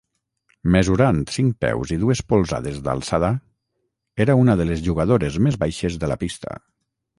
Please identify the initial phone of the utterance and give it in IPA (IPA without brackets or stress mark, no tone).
m